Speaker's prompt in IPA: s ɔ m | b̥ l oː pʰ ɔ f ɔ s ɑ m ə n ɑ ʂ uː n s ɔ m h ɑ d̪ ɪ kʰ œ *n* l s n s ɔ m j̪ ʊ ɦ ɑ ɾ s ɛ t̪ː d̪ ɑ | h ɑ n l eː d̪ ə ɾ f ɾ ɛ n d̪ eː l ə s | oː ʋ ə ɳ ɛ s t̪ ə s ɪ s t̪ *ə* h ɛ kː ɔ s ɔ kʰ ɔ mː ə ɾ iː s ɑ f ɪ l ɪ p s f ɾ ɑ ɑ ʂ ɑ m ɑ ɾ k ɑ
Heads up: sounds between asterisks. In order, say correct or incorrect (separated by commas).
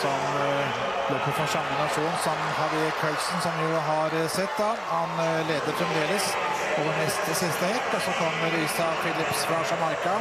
incorrect, correct